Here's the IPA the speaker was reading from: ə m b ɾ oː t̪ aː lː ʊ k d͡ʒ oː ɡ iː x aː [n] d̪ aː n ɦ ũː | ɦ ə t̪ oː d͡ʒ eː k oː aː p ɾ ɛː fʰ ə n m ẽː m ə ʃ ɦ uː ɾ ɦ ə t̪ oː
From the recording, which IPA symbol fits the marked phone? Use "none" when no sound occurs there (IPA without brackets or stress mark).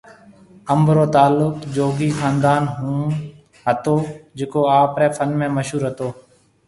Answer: n